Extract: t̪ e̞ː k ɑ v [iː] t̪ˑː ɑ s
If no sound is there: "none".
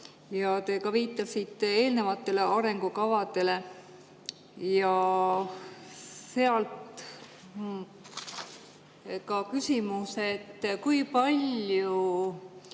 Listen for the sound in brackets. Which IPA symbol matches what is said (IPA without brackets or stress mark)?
iː